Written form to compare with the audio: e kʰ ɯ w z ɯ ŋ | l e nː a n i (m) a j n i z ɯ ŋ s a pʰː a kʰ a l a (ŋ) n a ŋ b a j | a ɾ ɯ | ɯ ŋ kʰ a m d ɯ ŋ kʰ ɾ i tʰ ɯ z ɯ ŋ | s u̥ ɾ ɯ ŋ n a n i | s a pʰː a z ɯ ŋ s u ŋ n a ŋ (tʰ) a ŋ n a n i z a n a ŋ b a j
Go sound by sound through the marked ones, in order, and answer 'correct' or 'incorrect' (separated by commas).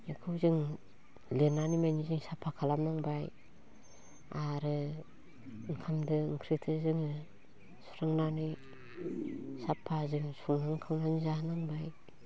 correct, incorrect, incorrect